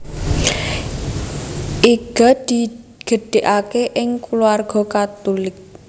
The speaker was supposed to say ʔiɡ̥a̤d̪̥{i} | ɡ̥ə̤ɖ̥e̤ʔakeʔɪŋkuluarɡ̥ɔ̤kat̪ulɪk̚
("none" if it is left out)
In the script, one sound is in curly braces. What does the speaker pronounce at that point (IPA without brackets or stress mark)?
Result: i